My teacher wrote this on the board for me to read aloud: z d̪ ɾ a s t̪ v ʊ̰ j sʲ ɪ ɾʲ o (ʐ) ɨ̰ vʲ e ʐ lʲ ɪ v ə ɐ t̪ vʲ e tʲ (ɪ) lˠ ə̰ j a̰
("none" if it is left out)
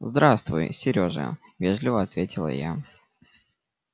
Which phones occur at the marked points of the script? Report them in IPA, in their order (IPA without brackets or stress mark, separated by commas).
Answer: ʐ, ɪ